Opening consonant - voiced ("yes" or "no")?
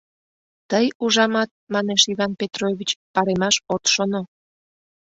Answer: no